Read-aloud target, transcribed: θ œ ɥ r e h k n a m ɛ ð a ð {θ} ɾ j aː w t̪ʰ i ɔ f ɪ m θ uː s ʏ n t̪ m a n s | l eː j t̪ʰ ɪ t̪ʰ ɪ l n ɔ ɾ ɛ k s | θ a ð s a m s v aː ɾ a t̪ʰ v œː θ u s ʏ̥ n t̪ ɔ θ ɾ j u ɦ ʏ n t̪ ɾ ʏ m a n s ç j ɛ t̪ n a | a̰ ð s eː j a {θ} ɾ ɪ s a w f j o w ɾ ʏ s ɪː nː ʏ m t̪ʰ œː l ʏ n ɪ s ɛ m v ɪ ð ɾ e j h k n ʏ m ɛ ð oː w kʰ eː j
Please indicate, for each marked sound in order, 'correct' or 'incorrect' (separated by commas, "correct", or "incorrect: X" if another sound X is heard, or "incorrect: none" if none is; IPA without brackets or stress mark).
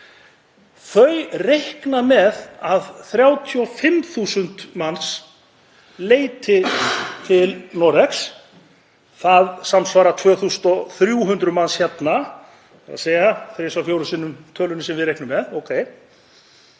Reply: correct, correct